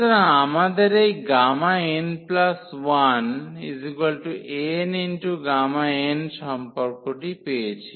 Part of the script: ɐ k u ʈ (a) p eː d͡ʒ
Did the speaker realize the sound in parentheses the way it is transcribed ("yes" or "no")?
no